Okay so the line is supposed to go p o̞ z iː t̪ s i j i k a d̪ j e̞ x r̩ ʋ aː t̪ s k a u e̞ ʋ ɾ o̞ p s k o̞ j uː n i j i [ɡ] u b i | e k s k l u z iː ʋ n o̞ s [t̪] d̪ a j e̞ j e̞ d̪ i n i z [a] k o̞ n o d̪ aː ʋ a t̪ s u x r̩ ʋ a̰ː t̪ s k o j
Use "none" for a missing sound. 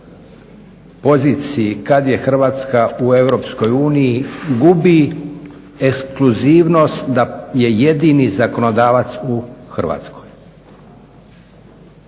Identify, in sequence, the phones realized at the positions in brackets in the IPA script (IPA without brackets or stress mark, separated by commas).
ɡ, t̪, a